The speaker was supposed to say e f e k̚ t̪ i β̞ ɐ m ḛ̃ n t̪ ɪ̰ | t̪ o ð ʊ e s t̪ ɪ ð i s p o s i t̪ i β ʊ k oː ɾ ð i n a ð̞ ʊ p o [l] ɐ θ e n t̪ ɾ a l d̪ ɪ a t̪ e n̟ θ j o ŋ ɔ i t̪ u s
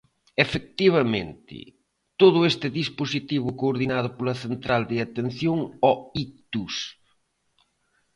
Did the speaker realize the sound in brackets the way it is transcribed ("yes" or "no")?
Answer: yes